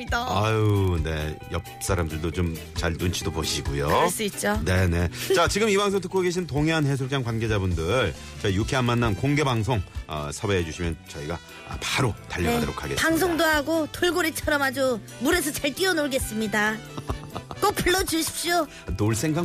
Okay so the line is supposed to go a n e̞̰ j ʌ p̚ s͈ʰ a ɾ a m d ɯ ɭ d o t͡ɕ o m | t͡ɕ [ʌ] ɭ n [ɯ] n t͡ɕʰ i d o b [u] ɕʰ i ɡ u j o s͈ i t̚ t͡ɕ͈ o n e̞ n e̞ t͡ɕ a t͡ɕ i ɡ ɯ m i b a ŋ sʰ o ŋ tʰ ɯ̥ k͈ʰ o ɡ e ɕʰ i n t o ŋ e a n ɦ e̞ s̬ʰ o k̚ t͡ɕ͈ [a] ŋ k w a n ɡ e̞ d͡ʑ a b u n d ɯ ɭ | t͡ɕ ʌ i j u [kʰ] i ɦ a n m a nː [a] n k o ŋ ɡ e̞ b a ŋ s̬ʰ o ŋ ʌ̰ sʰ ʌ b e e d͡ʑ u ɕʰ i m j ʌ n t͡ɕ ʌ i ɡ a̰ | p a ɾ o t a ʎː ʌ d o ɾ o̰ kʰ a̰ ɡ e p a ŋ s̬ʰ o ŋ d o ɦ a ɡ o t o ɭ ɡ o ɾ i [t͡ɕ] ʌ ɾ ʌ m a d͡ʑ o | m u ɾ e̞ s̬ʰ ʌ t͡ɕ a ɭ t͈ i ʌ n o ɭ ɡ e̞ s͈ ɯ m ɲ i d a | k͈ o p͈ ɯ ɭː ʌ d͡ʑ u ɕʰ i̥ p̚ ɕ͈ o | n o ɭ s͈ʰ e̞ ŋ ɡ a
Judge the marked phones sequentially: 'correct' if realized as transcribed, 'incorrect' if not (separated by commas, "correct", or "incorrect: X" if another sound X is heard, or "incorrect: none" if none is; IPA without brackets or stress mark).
incorrect: a, incorrect: u, incorrect: o, correct, correct, correct, incorrect: t͡ɕʰ